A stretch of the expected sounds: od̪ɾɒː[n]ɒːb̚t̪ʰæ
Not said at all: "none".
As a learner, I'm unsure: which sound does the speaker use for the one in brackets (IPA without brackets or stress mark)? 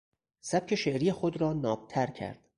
n